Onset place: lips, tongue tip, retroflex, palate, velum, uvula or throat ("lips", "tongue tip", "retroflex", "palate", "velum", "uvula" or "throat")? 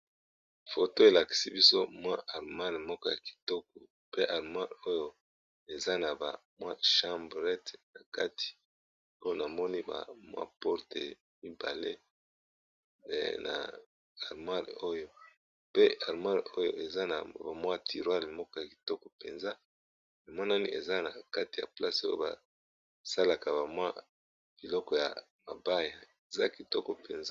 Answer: lips